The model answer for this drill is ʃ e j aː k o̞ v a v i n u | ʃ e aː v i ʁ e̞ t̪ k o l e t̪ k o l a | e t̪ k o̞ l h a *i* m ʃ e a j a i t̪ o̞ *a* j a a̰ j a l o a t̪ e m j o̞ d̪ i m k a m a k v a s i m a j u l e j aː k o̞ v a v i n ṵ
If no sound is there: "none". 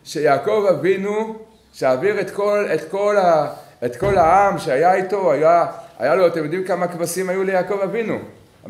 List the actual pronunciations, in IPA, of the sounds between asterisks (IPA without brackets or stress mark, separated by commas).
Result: a, a